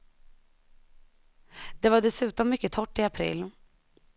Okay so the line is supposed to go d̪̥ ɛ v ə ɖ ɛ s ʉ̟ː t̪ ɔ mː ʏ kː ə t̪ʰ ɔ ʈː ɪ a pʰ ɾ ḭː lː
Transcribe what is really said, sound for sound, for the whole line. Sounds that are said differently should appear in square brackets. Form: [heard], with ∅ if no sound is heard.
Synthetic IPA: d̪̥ ɛ v [a] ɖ ɛ s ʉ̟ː t̪ ɔ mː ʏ kː ə t̪ʰ ɔ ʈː ɪ a pʰ ɾ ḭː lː